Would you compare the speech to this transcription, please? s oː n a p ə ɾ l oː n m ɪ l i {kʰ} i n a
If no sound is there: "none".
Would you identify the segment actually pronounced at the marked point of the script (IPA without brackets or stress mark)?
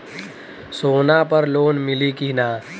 k